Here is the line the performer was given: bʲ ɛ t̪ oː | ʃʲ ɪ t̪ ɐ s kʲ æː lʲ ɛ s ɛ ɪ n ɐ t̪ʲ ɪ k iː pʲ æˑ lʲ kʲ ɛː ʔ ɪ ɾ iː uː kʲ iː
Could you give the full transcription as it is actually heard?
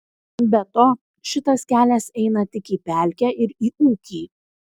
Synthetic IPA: bʲ ɛ t̪ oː | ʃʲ ɪ t̪ ɐ s kʲ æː lʲ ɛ s ɛ ɪ n ɐ t̪ʲ ɪ k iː pʲ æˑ lʲ kʲ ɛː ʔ ɪ ɾ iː uː kʲ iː